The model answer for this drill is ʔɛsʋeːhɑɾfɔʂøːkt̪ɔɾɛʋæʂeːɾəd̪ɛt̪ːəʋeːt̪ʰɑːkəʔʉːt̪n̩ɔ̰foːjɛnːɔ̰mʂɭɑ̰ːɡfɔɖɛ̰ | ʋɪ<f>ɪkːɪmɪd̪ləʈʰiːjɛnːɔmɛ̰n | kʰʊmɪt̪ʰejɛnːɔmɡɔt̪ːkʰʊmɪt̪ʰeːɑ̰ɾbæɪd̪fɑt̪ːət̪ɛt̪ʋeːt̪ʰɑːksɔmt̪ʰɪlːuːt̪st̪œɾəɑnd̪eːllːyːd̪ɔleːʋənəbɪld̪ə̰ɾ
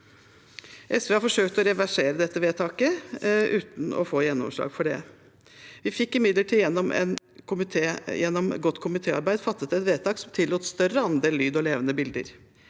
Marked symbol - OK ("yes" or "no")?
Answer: yes